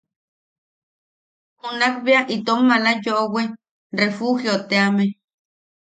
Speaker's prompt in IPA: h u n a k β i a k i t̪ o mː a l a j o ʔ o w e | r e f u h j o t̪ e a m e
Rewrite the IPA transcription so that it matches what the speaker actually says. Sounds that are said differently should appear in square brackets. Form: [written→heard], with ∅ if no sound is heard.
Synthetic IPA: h u n a k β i a [k→ʔ] i t̪ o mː a l a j o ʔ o w e | r e f u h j o t̪ e a m e

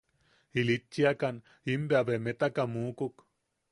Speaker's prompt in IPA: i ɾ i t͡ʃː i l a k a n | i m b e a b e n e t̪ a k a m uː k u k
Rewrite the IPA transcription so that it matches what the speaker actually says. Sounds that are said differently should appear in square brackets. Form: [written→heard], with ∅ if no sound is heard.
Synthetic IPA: i [ɾ→l] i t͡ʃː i [l→∅] a k a n | i m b e a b e [n→m] e t̪ a k a m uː k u k

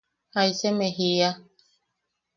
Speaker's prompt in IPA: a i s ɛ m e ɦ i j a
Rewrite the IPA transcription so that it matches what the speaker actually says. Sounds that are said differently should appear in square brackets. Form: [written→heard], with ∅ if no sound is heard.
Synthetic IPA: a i s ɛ m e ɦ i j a

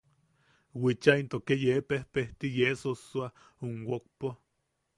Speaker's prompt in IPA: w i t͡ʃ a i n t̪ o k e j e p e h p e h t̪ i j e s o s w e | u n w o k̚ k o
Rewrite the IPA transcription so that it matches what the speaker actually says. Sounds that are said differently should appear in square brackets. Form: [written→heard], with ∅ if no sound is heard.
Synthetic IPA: w i t͡ʃ a i n t̪ o k e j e p e h p e h t̪ i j e s o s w [e→a] | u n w o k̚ [k→p] o

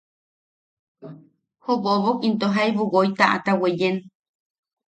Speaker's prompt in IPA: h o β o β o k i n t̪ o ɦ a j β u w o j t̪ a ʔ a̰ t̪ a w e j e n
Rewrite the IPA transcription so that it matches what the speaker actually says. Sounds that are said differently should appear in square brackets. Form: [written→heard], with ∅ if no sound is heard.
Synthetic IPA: h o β o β o k i n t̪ o ɦ a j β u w o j t̪ a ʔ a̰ t̪ a w e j e n

